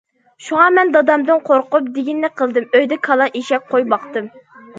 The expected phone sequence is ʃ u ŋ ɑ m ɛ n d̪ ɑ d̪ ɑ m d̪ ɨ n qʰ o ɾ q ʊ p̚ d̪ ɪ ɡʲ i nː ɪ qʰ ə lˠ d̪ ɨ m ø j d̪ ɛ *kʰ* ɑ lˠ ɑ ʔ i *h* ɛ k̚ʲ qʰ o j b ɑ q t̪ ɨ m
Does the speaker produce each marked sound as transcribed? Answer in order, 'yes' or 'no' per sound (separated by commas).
yes, no